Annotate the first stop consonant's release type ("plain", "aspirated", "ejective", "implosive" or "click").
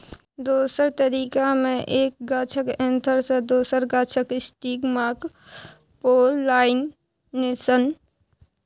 plain